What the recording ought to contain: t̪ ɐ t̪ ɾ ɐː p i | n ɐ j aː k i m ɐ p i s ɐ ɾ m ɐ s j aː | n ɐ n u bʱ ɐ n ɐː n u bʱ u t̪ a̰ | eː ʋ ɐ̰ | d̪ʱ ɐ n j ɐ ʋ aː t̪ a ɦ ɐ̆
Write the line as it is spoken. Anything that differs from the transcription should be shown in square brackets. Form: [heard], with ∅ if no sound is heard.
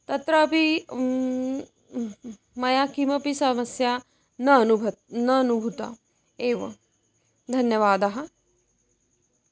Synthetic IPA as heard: t̪ ɐ t̪ ɾ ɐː p i | [m] ɐ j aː k i m ɐ p i s ɐ [∅] m ɐ s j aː | n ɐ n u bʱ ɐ n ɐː n u bʱ u t̪ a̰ | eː ʋ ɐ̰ | d̪ʱ ɐ n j ɐ ʋ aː [d̪] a ɦ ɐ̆